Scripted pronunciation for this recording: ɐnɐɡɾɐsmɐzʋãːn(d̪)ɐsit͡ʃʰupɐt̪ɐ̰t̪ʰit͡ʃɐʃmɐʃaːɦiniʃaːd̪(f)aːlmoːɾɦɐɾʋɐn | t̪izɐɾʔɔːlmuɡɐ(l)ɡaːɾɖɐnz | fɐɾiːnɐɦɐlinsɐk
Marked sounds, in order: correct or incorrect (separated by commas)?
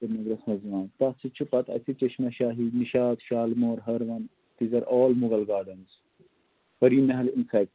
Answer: incorrect, incorrect, correct